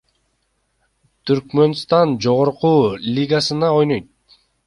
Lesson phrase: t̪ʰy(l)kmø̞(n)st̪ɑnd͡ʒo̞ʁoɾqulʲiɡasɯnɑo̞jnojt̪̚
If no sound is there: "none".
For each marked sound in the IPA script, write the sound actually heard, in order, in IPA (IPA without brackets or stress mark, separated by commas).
ɾ, n